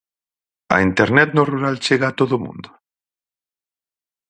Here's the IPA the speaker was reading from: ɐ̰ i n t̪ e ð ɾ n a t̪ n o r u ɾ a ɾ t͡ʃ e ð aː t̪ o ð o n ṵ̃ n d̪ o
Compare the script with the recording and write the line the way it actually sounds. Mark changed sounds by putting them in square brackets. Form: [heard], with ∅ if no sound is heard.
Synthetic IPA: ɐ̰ i n t̪ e [∅] ɾ n [ɛ] t̪ n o r u ɾ a [l] t͡ʃ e [ɣ] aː t̪ o ð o [m] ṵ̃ n d̪ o